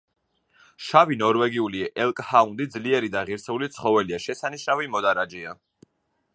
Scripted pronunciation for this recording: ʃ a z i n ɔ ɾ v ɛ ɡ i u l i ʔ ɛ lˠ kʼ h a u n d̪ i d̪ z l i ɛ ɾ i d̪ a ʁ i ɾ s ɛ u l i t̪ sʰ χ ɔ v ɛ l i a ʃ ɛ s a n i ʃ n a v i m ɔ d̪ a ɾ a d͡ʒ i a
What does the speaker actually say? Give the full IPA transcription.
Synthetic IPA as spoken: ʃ a v i n ɔ ɾ v ɛ ɡ i u l i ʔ ɛ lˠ kʼ h a u n d̪ i d̪ z l i ɛ ɾ i d̪ a ʁ i ɾ s ɛ u l i t̪ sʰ χ ɔ v ɛ l i a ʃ ɛ s a n i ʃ n a v i m ɔ d̪ a ɾ a d͡ʒ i a